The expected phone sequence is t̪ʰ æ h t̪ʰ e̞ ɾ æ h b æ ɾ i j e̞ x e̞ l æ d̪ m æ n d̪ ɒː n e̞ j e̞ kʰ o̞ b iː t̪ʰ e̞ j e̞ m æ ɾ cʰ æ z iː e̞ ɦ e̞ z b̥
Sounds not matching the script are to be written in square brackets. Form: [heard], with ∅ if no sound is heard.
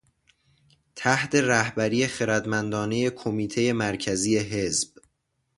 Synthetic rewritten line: t̪ʰ æ h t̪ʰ e̞ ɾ æ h b æ ɾ i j e̞ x e̞ [ɾ] æ d̪ m æ n d̪ ɒː n e̞ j e̞ kʰ o̞ [m] iː t̪ʰ e̞ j e̞ m æ ɾ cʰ æ z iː e̞ ɦ e̞ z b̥